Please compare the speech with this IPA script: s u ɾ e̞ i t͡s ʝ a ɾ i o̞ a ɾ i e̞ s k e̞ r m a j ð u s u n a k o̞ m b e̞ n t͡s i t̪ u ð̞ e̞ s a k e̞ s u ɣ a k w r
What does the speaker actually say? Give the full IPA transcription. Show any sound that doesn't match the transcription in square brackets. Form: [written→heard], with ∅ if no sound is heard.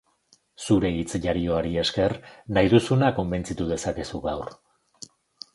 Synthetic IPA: s u ɾ e̞ i t͡s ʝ a ɾ i o̞ a ɾ i e̞ s k e̞ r [m→n] a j ð u s u n a k o̞ m b e̞ n t͡s i t̪ u ð̞ e̞ s a k e̞ s u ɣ a [k→∅] w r

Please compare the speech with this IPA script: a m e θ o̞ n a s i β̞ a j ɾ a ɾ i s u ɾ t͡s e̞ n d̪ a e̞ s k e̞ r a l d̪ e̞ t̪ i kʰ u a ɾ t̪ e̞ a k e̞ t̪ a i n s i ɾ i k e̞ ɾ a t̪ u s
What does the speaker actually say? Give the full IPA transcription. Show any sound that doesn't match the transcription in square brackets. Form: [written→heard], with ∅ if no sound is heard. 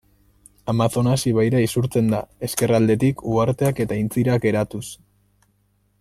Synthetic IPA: a m [e→a] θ o̞ n a s i β̞ a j ɾ a [ɾ→∅] i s u ɾ t͡s e̞ n d̪ a e̞ s k e̞ r a l d̪ e̞ t̪ i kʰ u a ɾ t̪ e̞ a k e̞ t̪ a i n [s→t͡s] i ɾ [i→a] k e̞ ɾ a t̪ u s

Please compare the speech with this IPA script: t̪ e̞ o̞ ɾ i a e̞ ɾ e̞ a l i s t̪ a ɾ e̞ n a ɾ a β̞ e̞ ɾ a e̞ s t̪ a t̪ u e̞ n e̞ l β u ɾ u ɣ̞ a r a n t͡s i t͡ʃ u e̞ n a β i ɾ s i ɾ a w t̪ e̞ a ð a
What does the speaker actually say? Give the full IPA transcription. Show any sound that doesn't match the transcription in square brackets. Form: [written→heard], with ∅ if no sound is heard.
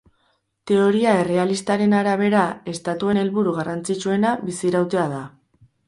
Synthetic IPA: t̪ e̞ o̞ ɾ i a e̞ [ɾ→r] e̞ a l i s t̪ a ɾ e̞ n a ɾ a β̞ e̞ ɾ a e̞ s t̪ a t̪ u e̞ n e̞ l β u ɾ u ɣ̞ a r a n t͡s i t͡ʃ u e̞ n a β i [ɾ→∅] s i ɾ a w t̪ e̞ a ð a

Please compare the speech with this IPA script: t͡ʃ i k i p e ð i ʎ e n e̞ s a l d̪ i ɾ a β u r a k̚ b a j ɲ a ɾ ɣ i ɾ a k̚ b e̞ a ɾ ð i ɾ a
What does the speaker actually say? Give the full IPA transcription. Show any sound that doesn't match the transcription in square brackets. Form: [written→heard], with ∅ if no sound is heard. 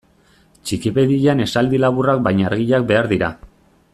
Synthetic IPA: t͡ʃ i k i p e ð i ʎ [e→a] n e̞ s a l d̪ i [ɾ→l] a β u r a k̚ b a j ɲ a ɾ ɣ i [ɾ→ʎ] a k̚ b e̞ a ɾ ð i ɾ a

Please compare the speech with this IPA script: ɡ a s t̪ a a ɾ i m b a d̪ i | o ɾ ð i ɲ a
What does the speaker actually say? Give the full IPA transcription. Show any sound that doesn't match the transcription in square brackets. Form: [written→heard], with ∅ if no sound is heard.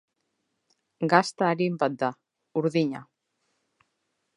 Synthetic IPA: ɡ a s t̪ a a ɾ i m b a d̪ [i→a] | [o→u] ɾ ð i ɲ a

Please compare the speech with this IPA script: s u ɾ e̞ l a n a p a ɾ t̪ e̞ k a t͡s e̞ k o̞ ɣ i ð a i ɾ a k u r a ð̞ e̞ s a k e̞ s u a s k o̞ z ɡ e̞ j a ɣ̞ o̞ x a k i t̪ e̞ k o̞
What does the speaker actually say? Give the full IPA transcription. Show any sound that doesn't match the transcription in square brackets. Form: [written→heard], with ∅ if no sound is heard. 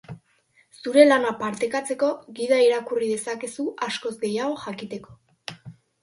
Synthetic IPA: s u ɾ e̞ l a n a p a ɾ t̪ e̞ k a t͡s e̞ k o̞ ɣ i ð a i ɾ a k u r [a→i] ð̞ e̞ s a k e̞ s u a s k o̞ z ɡ e̞ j a ɣ̞ o̞ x a k i t̪ e̞ k o̞

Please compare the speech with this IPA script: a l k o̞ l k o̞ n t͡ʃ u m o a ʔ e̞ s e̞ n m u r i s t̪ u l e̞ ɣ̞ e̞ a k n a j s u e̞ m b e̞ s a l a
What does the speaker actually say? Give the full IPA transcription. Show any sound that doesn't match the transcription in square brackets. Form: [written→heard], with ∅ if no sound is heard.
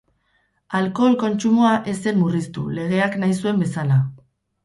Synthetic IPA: a l k o̞ l k o̞ n t͡ʃ u m o a ʔ e̞ s e̞ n m u r i s t̪ u l e̞ ɣ̞ e̞ a k n a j s u e̞ m b e̞ s a l a

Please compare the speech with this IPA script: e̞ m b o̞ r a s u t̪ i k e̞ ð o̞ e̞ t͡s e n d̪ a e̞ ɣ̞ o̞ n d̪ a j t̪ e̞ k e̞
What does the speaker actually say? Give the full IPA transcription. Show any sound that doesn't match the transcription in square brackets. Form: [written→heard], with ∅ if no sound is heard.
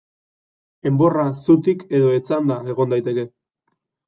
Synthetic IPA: e̞ m b o̞ r a s u t̪ i k e̞ ð o̞ e̞ t͡s [e→a] n d̪ a e̞ ɣ̞ o̞ n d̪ a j t̪ e̞ k e̞

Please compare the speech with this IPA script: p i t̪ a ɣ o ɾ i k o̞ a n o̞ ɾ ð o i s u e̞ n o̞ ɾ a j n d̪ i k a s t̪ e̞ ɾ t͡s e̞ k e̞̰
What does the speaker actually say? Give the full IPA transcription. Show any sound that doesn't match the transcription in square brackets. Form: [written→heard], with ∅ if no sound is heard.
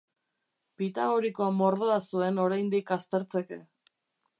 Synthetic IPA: p i t̪ a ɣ o ɾ i k o̞ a [n→m] o̞ ɾ ð o [i→a] s u e̞ n o̞ ɾ a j n d̪ i k a s t̪ e̞ ɾ t͡s e̞ k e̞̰

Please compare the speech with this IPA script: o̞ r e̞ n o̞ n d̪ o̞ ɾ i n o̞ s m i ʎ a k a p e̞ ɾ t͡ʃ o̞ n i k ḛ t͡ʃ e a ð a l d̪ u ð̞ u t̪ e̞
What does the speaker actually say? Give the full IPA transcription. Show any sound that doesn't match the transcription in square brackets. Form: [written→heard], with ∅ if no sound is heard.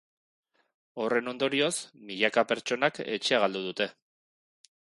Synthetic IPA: o̞ r e̞ n o̞ n d̪ o̞ ɾ i [n→∅] o̞ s m i ʎ a k a p e̞ ɾ t͡ʃ o̞ n [i→a] k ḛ t͡ʃ e a [ð→ɣ] a l d̪ u ð̞ u t̪ e̞

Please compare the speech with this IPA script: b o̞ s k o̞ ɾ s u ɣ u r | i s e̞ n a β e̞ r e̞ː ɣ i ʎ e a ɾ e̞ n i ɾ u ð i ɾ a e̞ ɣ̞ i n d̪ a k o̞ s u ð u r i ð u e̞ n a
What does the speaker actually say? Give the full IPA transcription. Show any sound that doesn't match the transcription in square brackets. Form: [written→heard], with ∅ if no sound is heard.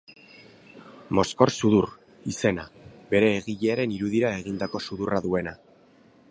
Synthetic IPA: [b→m] o̞ s k o̞ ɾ s u [ɣ→ð] u r | i s e̞ n a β e̞ [r→ɾ] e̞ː ɣ i ʎ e a ɾ e̞ n i ɾ u ð i ɾ a e̞ ɣ̞ i n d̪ a k o̞ s u ð u r [i→a] ð u e̞ n a

